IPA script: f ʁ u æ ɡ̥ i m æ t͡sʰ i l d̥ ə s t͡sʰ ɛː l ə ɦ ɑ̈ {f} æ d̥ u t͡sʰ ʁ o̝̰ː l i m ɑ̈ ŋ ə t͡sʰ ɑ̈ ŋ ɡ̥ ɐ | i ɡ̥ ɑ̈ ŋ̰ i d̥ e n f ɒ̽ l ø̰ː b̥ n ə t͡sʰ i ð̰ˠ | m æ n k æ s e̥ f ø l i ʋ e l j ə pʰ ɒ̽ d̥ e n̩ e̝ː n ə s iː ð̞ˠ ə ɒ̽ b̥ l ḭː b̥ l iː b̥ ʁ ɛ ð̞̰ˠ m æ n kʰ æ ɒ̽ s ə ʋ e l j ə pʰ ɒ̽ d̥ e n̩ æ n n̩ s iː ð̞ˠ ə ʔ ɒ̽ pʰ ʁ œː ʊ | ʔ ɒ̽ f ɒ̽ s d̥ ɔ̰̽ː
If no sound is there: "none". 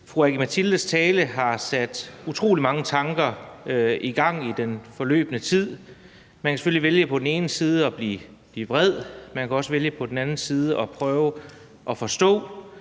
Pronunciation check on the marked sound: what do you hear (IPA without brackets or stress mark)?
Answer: s